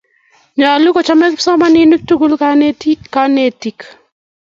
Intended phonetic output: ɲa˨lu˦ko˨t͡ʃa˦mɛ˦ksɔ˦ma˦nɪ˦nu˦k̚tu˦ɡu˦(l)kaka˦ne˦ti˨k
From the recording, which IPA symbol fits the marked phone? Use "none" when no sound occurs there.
l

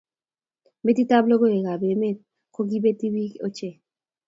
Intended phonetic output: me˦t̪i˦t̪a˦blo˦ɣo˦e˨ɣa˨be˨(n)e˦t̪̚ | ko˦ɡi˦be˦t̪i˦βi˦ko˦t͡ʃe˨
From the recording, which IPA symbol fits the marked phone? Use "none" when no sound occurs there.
m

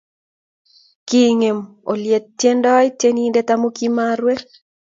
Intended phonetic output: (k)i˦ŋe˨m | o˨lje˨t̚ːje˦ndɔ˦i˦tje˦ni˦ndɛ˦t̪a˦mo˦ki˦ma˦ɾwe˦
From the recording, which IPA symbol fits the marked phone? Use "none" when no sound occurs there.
k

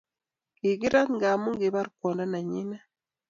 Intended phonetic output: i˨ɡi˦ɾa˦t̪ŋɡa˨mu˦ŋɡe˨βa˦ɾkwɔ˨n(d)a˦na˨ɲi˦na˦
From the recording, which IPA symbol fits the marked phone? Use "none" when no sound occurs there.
d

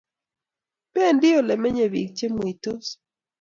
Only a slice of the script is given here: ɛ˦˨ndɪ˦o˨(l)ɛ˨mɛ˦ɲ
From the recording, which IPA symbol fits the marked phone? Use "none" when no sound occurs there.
l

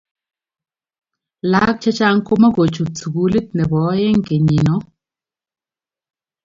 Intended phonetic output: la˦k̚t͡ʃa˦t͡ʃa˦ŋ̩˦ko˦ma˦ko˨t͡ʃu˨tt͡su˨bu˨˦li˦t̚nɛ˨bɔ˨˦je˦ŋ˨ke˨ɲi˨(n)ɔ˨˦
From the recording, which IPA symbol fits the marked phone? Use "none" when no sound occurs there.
n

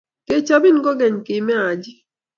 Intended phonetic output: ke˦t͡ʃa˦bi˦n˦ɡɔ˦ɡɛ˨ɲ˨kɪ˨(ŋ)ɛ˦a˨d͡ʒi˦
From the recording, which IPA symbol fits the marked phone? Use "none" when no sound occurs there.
m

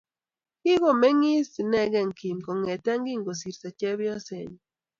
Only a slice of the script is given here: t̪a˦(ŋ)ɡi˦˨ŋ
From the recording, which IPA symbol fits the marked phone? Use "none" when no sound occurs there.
ŋ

